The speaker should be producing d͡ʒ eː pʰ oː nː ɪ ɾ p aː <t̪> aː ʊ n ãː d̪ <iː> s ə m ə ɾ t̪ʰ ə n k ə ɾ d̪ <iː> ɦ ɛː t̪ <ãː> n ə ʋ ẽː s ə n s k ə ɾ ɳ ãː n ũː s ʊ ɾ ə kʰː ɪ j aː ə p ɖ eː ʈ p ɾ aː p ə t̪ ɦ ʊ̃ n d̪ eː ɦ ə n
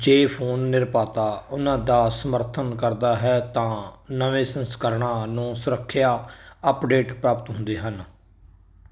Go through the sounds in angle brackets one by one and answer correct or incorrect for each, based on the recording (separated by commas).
correct, incorrect, incorrect, correct